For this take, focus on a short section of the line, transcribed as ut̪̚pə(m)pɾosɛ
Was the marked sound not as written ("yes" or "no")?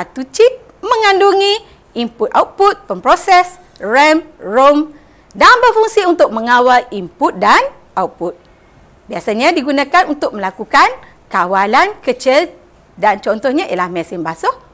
no